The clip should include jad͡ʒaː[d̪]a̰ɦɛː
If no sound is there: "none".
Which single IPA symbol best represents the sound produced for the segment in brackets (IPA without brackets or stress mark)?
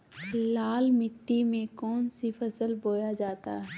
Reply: t̪